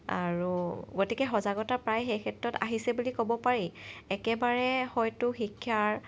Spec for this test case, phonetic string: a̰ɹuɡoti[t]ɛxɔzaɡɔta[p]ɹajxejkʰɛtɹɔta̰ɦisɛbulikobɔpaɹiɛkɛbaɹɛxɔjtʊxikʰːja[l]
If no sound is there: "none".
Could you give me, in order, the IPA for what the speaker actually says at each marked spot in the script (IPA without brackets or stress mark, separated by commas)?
k, p, ɹ